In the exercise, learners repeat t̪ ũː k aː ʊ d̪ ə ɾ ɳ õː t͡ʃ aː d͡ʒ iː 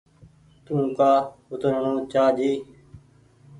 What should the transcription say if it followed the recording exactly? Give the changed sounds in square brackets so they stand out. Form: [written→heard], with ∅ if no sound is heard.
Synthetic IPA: t̪ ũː k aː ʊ [d̪→t̪] ə ɾ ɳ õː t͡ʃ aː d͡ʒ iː